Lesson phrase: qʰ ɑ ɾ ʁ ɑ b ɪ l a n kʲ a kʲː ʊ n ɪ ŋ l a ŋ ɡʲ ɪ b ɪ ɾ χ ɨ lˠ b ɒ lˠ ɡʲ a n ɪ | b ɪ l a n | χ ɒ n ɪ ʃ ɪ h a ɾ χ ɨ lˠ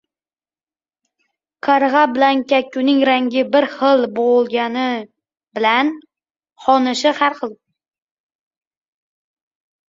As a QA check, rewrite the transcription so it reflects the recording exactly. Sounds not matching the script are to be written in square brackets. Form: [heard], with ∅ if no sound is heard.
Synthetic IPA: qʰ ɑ ɾ ʁ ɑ b ɪ l a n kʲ a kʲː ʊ n ɪ ŋ [ɾ] a ŋ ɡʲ ɪ b ɪ ɾ χ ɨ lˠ b [o] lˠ ɡʲ a n ɪ | b ɪ l a n | χ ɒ n ɪ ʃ ɪ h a ɾ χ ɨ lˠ